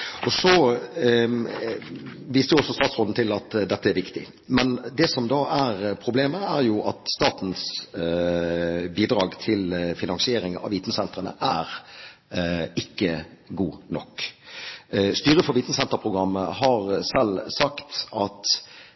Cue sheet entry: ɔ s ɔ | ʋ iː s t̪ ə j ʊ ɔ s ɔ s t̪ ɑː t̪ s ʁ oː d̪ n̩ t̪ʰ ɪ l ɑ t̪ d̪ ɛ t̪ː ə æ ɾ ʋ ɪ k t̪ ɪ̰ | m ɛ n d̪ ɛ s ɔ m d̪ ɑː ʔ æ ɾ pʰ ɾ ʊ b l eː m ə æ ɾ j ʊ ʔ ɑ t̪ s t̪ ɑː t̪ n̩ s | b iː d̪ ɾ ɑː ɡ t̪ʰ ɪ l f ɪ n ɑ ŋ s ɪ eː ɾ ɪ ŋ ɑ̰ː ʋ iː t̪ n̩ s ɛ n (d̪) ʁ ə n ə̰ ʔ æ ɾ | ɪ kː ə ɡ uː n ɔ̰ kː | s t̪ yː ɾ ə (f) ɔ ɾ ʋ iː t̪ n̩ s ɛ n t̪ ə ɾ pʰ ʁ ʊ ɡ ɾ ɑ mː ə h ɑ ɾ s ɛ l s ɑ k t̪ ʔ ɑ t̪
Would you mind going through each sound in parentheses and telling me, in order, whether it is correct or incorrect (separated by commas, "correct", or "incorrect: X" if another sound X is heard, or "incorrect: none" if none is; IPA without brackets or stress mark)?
incorrect: t̪, correct